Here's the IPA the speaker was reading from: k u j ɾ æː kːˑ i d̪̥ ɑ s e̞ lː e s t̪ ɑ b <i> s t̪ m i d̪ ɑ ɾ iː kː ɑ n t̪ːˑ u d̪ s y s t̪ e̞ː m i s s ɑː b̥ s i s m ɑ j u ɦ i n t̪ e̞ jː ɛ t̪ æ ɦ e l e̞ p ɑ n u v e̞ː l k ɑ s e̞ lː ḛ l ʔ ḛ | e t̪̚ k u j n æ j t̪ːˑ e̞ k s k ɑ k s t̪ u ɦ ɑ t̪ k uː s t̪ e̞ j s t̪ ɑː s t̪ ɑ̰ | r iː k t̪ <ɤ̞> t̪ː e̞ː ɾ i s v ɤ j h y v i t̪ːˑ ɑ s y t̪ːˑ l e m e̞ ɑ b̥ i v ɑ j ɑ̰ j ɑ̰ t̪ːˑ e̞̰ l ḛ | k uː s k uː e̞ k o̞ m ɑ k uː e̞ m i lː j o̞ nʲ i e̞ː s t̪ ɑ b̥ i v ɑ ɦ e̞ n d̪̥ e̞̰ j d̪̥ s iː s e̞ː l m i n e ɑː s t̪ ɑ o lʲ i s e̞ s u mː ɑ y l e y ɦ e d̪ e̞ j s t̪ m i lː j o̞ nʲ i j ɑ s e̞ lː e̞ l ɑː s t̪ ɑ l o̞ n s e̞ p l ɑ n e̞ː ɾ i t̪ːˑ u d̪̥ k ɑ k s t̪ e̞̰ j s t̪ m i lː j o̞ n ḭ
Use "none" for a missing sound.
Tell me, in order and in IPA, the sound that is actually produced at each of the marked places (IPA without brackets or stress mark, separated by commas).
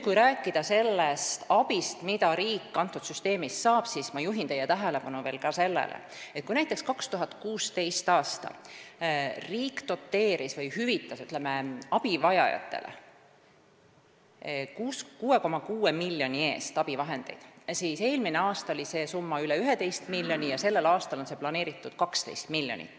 i, o̞